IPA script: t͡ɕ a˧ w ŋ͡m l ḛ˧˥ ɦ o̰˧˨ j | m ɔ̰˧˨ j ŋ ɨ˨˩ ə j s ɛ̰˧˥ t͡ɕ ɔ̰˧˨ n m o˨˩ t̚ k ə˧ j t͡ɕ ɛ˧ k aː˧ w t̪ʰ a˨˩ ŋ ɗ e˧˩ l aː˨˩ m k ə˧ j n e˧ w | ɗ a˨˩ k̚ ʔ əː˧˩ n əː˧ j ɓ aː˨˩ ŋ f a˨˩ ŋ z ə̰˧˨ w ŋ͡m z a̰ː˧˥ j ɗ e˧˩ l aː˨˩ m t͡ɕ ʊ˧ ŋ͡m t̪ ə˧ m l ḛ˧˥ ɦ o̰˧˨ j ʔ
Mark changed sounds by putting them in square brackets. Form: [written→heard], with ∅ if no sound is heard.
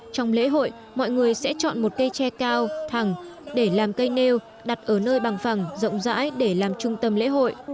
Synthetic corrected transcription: t͡ɕ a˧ w ŋ͡m l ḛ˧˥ ɦ o̰˧˨ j | m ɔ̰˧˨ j ŋ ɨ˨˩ ə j s ɛ̰˧˥ t͡ɕ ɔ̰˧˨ n m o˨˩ t̚ k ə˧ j t͡ɕ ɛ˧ k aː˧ w t̪ʰ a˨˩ ŋ ɗ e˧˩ l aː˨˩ m k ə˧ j n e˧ w | ɗ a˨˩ [k̚→t̚] ʔ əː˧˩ n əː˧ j ɓ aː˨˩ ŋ f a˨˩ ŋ z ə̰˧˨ w ŋ͡m z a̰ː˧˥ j ɗ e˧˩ l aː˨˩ m t͡ɕ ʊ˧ ŋ͡m t̪ ə˧ m l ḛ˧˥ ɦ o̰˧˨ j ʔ